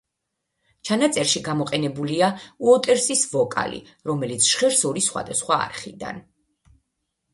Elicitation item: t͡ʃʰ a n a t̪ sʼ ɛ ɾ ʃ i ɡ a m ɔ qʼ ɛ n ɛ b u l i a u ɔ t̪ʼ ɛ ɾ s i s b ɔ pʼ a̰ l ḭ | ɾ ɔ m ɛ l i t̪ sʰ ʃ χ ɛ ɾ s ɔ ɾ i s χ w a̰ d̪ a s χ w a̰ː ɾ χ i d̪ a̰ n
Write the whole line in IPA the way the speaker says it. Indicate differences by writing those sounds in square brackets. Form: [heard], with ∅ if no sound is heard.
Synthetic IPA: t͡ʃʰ a n a t̪ sʼ ɛ ɾ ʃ i ɡ a m ɔ qʼ ɛ n ɛ b u l i a u ɔ t̪ʼ ɛ ɾ s i s [v] ɔ [kʼ] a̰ l ḭ | ɾ ɔ m ɛ l i t̪ sʰ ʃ χ ɛ ɾ s ɔ ɾ i s χ w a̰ d̪ a s χ w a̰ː ɾ χ i d̪ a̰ n